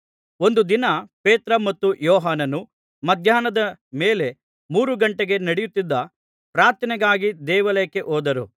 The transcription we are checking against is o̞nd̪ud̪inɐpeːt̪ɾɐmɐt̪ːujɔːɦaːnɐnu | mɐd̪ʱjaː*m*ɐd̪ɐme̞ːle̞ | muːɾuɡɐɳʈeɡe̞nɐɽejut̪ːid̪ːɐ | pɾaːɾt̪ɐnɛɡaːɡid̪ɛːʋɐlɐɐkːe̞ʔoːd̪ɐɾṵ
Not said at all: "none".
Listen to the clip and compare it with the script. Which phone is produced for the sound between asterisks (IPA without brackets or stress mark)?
n